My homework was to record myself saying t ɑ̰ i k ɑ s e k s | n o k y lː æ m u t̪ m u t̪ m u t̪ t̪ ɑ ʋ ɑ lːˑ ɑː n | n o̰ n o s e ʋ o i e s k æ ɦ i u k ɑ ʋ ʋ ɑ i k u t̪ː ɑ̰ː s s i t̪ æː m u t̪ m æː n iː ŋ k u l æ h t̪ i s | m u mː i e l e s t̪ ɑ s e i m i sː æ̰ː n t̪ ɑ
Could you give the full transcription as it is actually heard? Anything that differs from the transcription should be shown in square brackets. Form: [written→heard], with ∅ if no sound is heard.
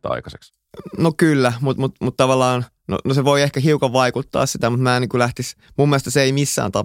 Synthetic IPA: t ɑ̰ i k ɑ s e k s | n o k y lː æ m u t̪ m u t̪ m u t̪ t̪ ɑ ʋ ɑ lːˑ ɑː n | n o̰ n o s e ʋ o i e [s→h] k æ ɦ i u k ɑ ʋ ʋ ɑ i k u t̪ː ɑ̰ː s s i t̪ [æː→æ] m u t̪ m æː n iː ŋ k u l æ h t̪ i s | m u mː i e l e s t̪ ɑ s e i m i sː æ̰ː n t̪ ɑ